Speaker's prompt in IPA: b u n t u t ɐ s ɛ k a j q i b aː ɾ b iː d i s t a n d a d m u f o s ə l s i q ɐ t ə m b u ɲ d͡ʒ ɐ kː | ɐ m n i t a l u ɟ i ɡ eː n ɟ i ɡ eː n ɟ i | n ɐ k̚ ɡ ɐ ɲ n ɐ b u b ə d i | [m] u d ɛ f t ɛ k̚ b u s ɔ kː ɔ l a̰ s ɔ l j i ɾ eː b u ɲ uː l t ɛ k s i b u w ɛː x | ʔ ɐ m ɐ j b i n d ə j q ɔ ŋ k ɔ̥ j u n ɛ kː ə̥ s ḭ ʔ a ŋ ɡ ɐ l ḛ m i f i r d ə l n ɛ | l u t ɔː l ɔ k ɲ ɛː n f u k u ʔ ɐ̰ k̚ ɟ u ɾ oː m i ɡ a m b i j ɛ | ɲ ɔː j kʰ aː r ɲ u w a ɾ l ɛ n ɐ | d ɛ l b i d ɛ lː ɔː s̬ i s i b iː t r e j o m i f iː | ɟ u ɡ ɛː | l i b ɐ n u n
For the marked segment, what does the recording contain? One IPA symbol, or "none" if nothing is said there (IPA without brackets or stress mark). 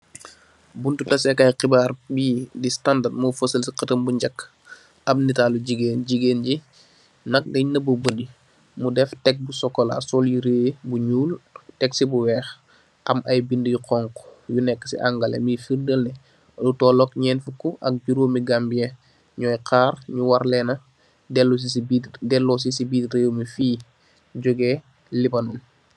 m